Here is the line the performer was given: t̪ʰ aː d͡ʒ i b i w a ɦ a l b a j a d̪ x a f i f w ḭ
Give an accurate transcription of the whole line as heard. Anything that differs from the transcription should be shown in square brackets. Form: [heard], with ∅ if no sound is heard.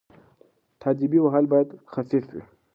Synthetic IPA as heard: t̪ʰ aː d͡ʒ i b i w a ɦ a l b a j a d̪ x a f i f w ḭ